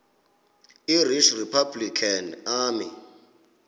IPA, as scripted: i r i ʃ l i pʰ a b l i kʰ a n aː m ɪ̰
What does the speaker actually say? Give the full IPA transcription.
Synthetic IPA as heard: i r i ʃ r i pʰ a b l i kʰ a n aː m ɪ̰